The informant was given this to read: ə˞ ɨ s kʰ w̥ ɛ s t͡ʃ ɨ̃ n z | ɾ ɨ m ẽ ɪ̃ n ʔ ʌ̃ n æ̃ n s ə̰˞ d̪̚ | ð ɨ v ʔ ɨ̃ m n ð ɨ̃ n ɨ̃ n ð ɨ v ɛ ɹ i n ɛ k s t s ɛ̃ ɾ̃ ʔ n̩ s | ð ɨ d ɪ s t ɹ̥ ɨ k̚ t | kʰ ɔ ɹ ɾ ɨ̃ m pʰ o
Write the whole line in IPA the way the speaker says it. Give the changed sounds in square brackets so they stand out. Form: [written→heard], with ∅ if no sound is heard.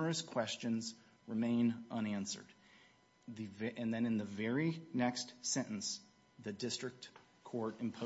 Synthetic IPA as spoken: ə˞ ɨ s kʰ w̥ ɛ s t͡ʃ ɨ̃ n z | [ɾ→ɹ] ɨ m ẽ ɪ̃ n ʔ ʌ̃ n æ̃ n s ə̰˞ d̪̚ | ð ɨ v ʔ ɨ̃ [m→∅] n ð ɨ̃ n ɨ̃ n ð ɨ v ɛ ɹ i n ɛ k s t s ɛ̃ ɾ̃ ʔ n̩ s | ð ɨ d ɪ s t ɹ̥ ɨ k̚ t | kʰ ɔ ɹ ɾ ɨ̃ m pʰ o